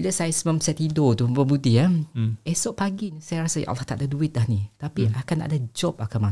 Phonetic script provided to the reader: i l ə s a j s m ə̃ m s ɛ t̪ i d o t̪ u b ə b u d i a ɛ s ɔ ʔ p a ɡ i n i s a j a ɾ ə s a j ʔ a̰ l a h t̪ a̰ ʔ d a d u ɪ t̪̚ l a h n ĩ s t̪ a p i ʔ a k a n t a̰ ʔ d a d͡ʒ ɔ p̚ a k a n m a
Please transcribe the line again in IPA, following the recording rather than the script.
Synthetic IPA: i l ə s a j s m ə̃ m s ɛ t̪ i d o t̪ u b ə b u d i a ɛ s ɔ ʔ p a ɡ i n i s a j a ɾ a s a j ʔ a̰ l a h t̪ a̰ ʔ d a d u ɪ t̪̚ l a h n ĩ t̪ a p i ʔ a k a n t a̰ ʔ d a d͡ʒ ɔ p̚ a k a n m a